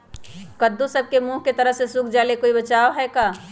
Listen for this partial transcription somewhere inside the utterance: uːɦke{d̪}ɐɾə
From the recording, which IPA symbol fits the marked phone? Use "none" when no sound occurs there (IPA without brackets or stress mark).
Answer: t̪